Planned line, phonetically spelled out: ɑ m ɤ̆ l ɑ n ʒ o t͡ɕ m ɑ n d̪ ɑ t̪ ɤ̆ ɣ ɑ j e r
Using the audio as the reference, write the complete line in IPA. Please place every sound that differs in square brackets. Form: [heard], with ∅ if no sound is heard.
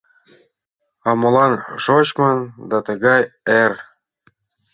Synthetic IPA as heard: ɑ m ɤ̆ l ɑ n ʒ o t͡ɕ m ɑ n d̪ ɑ t̪ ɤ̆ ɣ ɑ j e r